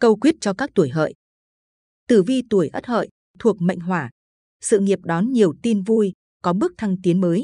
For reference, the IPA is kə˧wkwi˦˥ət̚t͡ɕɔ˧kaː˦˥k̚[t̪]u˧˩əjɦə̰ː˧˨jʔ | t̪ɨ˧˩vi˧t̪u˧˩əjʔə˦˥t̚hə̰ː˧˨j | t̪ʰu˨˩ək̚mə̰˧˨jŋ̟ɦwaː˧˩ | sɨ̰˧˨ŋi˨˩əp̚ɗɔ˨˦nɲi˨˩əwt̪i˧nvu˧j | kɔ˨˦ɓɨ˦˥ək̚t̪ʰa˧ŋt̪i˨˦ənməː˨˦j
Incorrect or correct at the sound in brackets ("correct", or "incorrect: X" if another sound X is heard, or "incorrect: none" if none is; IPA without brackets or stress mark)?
correct